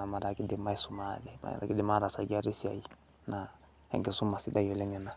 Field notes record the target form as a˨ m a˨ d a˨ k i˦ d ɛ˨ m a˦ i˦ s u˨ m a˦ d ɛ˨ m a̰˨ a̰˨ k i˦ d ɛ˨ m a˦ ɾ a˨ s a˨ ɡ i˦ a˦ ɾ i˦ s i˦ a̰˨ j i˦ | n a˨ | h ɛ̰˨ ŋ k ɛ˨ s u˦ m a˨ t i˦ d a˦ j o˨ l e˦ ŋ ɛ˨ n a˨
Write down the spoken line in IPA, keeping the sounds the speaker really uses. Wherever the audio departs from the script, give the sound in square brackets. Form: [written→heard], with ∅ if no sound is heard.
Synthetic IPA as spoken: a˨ m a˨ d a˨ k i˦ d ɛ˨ m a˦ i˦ s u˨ m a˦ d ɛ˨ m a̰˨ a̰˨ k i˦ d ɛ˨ m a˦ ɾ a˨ s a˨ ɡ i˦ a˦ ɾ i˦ s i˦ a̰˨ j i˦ | n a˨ | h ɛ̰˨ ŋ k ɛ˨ s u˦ m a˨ [t→s] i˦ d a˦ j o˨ l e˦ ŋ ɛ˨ n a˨